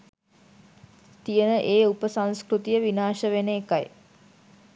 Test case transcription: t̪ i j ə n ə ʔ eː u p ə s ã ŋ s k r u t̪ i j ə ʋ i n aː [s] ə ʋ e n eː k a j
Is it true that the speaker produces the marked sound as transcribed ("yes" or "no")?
no